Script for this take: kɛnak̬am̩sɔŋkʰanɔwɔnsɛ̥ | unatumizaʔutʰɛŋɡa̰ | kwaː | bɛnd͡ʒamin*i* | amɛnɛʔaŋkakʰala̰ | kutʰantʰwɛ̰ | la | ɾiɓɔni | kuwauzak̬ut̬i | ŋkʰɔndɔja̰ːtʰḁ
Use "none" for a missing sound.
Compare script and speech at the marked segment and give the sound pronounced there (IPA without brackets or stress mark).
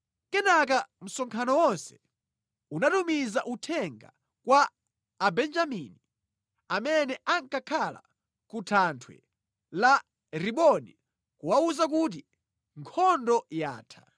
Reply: i